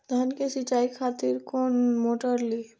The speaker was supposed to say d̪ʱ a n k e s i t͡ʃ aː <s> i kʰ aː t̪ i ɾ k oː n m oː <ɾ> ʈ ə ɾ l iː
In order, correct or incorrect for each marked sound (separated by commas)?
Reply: incorrect, incorrect